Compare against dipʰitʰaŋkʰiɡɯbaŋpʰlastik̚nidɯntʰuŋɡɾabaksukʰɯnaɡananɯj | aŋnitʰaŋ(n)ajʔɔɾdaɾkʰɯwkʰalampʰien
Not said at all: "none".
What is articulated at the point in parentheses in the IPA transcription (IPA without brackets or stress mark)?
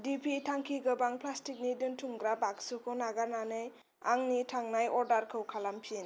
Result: n